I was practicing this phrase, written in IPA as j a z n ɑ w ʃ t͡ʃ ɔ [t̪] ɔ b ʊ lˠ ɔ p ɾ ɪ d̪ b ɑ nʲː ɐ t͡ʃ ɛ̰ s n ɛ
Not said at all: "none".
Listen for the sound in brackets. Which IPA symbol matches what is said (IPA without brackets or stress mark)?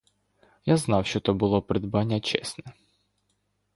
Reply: t̪